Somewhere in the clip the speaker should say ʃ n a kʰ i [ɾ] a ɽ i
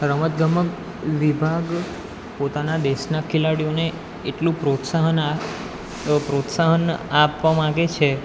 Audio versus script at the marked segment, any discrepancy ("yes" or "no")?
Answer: yes